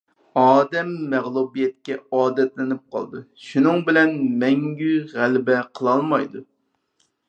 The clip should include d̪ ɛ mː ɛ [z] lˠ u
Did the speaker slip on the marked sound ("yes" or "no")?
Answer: yes